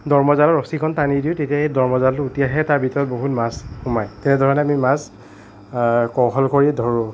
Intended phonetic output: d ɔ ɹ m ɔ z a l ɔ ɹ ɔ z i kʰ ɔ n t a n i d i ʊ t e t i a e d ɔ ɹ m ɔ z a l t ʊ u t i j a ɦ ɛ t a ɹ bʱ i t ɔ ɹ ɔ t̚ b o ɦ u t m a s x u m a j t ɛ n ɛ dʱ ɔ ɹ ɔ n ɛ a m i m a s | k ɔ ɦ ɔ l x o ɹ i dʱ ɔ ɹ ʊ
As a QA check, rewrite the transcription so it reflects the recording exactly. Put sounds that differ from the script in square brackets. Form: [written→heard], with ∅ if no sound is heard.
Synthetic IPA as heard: d ɔ ɹ m ɔ z a l ɔ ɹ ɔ [z→s] i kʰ ɔ n t a n i d i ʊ t e t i a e d ɔ ɹ m ɔ z a l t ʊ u t i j a ɦ ɛ t a ɹ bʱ i t ɔ ɹ ɔ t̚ b o ɦ u t m a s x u m a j t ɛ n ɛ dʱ ɔ ɹ ɔ n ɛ a m i m a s | k ɔ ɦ ɔ l [x→k] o ɹ i dʱ ɔ ɹ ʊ

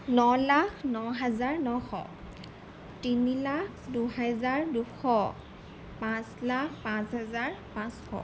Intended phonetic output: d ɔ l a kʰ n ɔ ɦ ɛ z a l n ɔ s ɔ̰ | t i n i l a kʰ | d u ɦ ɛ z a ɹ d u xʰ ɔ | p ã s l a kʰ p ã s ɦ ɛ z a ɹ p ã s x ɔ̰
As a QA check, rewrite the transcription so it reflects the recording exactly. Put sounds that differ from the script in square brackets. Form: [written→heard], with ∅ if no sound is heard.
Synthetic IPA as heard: [d→n] ɔ l a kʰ n ɔ ɦ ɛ z a [l→ɹ] n ɔ [s→x] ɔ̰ | t i n i l a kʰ | d u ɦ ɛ z a ɹ d u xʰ ɔ | p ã s l a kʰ p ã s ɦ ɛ z a ɹ p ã s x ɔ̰

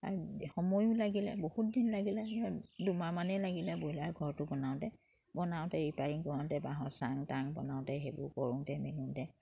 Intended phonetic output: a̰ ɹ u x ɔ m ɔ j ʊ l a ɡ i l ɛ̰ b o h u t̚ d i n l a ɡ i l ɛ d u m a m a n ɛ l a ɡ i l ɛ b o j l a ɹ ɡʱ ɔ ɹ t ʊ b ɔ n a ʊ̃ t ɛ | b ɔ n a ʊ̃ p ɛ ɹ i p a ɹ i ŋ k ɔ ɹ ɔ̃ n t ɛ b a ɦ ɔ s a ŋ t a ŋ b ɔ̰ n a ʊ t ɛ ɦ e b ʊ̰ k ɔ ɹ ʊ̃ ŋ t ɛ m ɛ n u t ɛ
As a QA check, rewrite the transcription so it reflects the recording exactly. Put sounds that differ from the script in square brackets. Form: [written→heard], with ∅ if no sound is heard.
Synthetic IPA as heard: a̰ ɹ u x ɔ m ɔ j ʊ l a ɡ i l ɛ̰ b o h u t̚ d i n l a ɡ i l ɛ d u m a m a n ɛ l a ɡ i l ɛ b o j l a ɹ ɡʱ ɔ ɹ t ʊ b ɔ n a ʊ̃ t ɛ | b ɔ n a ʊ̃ [p→t] ɛ ɹ i p a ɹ i ŋ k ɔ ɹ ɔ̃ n t ɛ b a ɦ ɔ s a ŋ t a ŋ b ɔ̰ n a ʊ t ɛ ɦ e b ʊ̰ k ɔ ɹ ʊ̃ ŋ t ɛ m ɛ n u t ɛ

